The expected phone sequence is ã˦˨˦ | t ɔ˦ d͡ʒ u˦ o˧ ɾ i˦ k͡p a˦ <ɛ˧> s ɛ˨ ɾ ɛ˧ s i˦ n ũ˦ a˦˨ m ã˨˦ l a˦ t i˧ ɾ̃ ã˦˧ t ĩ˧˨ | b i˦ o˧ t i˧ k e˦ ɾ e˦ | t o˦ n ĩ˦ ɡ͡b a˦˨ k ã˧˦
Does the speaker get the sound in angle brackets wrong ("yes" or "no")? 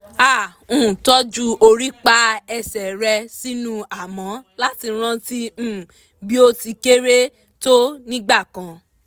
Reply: no